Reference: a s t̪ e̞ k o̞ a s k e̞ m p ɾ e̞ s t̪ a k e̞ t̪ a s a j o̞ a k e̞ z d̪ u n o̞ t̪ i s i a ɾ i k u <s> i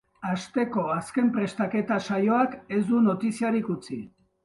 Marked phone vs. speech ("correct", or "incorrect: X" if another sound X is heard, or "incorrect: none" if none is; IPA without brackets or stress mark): incorrect: t͡s